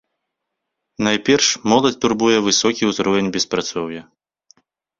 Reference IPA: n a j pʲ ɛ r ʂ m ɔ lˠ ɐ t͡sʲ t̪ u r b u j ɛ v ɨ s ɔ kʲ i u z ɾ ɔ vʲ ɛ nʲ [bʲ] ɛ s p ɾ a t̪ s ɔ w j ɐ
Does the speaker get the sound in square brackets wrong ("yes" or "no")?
no